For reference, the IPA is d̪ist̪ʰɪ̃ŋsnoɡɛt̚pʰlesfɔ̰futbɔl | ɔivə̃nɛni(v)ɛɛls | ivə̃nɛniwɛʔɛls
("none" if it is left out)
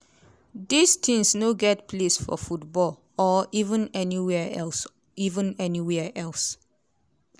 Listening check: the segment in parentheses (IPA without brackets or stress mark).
w